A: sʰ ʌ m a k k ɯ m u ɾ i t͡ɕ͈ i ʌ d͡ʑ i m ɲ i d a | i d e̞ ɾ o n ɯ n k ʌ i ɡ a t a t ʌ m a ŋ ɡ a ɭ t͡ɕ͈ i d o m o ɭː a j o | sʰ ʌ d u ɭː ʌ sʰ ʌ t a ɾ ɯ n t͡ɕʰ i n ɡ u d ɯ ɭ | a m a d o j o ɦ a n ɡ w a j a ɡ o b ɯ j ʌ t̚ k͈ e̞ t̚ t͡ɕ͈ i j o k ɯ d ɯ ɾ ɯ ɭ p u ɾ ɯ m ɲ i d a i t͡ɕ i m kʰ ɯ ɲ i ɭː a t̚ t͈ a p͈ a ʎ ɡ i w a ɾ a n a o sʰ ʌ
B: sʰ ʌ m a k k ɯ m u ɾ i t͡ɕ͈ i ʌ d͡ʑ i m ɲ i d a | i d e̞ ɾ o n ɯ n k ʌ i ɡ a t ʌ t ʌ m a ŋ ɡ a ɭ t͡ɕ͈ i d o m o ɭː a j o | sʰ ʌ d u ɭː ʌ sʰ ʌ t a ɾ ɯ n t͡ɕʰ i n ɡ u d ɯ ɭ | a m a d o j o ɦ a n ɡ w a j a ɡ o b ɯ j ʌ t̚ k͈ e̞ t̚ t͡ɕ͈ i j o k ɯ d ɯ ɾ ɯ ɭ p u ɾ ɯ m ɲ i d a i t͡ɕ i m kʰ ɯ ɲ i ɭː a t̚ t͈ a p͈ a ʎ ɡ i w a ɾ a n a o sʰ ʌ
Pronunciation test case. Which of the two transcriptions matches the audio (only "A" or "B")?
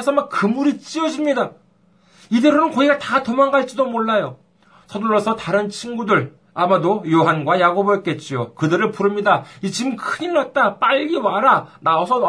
A